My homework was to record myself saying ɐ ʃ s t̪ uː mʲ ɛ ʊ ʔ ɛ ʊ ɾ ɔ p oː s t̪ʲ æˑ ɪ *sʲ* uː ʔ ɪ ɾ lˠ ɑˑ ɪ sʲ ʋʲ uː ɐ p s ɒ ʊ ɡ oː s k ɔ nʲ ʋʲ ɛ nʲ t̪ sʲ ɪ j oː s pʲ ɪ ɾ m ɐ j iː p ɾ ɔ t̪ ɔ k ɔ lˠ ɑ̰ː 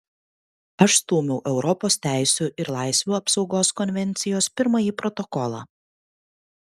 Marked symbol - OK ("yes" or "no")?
yes